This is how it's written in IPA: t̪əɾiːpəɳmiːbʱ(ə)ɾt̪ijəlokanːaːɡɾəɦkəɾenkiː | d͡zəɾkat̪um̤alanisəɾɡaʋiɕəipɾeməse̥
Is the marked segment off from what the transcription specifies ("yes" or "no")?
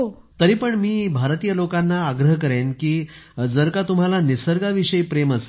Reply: yes